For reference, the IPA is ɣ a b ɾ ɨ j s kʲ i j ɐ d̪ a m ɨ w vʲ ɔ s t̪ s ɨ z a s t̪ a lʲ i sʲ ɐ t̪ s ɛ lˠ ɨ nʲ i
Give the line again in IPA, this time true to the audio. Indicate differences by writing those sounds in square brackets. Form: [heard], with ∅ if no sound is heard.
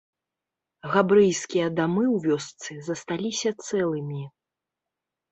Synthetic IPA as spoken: ɣ a b ɾ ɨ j s kʲ i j ɐ d̪ a m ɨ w vʲ ɔ s t̪ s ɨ z [ɐ] s t̪ a lʲ i sʲ ɐ t̪ s ɛ lˠ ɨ [mʲ] i